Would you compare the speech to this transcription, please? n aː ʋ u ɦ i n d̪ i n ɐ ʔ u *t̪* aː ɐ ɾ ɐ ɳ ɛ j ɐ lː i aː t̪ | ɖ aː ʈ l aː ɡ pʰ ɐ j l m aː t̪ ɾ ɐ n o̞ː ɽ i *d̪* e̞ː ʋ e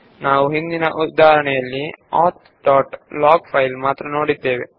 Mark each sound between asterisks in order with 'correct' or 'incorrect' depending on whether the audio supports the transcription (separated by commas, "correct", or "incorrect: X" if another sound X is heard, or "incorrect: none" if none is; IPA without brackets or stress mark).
incorrect: d̪, incorrect: d̪ː